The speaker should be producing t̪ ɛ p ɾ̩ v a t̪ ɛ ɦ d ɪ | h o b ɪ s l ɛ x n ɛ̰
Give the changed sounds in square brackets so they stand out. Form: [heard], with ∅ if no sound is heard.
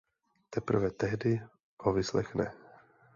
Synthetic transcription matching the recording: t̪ ɛ p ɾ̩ v [ɛ] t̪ ɛ ɦ d ɪ | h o [v] ɪ s l ɛ x n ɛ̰